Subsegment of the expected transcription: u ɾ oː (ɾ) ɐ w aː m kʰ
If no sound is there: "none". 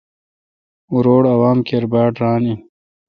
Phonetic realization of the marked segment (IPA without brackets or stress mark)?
ɽ